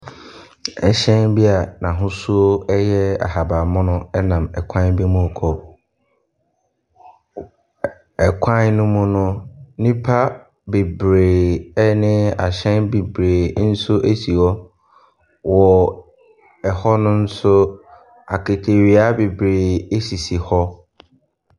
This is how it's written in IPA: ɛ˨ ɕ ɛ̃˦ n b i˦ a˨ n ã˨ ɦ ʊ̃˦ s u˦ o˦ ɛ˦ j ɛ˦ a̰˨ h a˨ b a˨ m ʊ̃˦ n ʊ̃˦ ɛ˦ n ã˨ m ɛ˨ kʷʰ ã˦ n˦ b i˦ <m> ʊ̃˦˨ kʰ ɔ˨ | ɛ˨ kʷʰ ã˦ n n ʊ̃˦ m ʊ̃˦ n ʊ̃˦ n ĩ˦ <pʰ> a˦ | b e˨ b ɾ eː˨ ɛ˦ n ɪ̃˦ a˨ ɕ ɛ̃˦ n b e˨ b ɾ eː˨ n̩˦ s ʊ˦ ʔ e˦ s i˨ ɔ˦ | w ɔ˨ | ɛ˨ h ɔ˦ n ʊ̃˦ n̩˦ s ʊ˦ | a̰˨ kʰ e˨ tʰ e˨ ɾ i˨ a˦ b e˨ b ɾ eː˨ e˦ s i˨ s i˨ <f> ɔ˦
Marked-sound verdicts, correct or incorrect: correct, correct, incorrect: h

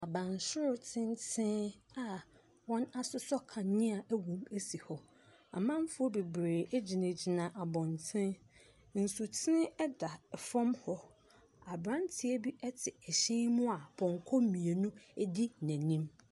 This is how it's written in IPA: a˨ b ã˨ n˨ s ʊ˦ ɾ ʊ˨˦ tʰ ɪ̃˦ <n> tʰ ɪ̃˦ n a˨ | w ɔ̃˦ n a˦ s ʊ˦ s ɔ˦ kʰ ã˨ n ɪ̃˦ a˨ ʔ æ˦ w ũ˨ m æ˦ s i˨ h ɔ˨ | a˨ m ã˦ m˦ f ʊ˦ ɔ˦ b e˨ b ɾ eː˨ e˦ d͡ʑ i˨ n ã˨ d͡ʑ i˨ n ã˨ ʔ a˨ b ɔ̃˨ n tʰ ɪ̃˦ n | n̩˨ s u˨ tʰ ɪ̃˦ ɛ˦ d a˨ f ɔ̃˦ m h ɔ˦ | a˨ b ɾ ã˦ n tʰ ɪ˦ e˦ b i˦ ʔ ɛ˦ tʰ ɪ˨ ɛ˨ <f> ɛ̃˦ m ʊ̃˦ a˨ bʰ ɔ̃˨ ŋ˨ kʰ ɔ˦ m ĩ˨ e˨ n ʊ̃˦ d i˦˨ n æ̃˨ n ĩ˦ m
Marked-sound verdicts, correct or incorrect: correct, incorrect: ɕ

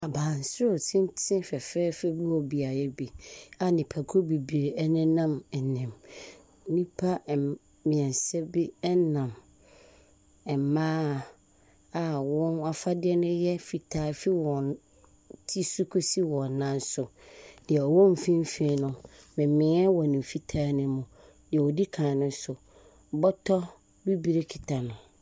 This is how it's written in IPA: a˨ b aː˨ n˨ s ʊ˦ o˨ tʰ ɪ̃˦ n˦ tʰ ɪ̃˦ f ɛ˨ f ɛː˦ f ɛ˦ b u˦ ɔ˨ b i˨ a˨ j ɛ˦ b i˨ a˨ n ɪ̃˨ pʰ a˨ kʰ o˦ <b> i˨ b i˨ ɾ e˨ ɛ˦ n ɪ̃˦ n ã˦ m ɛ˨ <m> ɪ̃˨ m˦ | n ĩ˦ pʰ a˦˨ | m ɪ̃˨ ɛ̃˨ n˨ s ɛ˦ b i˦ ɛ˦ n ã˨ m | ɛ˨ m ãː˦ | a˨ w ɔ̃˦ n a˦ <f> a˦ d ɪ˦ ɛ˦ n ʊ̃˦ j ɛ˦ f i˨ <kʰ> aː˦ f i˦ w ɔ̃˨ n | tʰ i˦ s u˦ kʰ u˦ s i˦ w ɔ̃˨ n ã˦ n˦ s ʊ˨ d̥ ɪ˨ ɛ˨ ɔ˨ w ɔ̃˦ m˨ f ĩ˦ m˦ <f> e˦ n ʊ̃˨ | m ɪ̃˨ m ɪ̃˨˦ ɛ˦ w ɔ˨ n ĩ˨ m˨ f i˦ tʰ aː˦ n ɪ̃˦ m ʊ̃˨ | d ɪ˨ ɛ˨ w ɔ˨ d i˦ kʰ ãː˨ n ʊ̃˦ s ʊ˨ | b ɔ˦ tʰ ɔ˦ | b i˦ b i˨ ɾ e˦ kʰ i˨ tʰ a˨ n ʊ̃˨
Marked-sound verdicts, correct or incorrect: correct, incorrect: n, correct, incorrect: tʰ, correct

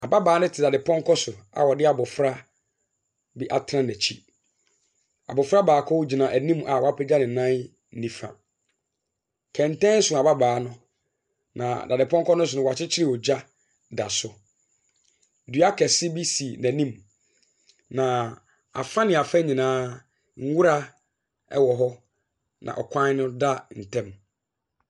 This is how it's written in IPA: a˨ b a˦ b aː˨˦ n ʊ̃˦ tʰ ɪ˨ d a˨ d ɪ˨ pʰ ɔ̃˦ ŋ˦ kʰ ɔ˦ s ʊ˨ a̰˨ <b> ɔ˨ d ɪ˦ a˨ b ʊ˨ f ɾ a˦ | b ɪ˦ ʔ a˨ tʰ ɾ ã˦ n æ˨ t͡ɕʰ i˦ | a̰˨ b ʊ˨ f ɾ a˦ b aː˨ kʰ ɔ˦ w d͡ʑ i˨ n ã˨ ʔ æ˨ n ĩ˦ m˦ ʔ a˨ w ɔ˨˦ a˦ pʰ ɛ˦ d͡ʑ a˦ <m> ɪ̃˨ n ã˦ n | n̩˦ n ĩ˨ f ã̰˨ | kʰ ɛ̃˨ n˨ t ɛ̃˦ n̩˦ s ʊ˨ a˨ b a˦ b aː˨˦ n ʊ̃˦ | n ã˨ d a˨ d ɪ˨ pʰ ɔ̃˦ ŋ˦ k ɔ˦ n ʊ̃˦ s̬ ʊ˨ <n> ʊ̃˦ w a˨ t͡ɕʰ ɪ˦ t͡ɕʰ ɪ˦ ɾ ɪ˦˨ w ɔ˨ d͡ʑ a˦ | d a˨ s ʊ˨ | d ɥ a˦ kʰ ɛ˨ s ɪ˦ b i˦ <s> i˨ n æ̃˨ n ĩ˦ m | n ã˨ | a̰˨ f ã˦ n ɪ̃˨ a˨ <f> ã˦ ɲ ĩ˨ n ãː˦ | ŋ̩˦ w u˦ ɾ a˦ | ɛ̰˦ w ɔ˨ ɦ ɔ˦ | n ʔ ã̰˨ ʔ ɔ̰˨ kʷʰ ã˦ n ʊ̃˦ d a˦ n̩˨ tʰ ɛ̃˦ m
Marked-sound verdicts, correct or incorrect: incorrect: w, incorrect: n, correct, correct, correct

